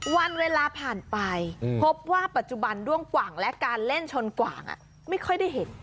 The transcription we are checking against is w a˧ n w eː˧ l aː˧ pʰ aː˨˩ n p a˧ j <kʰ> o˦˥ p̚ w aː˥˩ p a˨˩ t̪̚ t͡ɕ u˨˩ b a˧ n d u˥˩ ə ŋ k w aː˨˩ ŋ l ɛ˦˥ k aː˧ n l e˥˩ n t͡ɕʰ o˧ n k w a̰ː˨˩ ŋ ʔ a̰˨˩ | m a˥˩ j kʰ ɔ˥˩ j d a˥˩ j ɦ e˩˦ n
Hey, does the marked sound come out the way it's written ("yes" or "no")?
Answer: no